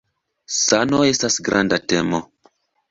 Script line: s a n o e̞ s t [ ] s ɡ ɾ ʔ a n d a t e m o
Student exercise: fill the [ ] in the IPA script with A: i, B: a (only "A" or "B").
B